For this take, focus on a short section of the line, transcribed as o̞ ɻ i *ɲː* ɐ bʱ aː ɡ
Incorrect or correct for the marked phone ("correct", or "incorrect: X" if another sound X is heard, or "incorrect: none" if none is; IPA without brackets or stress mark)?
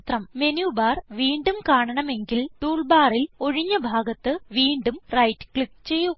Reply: correct